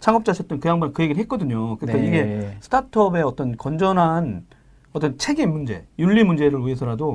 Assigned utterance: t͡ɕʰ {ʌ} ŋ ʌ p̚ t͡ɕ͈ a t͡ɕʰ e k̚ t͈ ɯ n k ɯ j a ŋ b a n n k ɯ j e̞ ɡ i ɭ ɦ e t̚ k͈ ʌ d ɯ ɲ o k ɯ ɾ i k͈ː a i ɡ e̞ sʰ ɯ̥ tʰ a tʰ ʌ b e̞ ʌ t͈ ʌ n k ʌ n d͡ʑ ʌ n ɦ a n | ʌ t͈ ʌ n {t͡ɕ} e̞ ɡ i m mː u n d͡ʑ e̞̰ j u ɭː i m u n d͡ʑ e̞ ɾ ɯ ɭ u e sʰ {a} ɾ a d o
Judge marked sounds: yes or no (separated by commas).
no, no, no